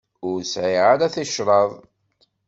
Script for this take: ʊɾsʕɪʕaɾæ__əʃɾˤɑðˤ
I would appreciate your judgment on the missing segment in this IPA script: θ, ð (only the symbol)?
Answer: θ